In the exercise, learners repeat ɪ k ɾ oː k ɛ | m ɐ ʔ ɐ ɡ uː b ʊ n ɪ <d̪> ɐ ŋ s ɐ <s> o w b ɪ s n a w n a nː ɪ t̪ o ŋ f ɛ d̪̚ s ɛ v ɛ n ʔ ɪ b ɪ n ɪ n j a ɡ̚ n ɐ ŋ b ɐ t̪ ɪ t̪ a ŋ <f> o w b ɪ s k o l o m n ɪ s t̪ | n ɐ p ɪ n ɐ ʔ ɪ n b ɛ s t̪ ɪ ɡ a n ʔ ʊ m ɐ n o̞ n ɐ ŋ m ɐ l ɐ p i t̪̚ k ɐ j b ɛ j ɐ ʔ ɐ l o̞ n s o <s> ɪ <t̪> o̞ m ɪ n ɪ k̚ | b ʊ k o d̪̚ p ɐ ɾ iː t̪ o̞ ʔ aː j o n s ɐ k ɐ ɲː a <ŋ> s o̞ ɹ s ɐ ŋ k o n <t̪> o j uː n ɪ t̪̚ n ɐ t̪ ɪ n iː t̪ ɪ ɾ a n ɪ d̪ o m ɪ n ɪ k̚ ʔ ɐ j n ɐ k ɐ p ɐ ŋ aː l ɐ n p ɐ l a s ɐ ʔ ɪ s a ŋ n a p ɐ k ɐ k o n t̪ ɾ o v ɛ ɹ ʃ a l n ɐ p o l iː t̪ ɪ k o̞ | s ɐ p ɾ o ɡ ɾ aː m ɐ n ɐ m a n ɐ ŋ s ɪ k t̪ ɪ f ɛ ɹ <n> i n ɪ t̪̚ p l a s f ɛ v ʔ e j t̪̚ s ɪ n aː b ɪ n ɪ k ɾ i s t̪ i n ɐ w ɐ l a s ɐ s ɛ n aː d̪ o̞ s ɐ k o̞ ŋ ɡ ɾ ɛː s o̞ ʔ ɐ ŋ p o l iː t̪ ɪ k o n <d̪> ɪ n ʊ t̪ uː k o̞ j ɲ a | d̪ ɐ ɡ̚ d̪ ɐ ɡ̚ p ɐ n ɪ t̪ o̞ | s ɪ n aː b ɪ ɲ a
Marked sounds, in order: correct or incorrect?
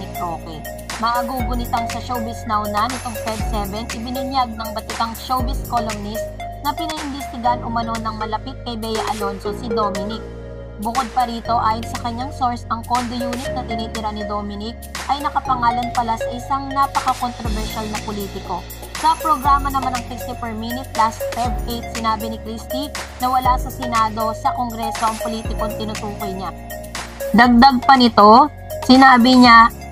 incorrect: t̪, incorrect: ʃ, incorrect: ʃ, correct, incorrect: d̪, correct, incorrect: d̪, incorrect: m, incorrect: t̪

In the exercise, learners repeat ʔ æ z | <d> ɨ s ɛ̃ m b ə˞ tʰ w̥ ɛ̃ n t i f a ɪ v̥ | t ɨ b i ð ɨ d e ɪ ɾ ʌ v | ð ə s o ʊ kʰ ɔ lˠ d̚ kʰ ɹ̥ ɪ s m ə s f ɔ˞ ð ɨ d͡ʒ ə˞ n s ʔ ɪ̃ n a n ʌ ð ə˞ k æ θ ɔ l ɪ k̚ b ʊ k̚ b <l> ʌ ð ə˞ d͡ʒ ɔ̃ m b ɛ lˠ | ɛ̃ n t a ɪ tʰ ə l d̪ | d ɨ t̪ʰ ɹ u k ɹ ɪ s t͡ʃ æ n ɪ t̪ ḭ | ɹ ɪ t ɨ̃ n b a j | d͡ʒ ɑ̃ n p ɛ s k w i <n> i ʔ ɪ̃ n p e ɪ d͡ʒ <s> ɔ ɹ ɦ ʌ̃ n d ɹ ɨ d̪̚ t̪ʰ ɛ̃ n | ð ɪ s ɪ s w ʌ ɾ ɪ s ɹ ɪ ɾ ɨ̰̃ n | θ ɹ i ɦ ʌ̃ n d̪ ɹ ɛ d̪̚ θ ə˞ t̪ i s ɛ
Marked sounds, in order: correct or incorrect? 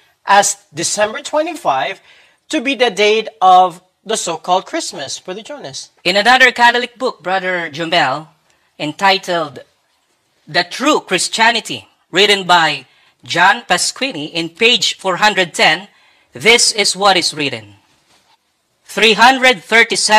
correct, incorrect: ɹ, correct, incorrect: f

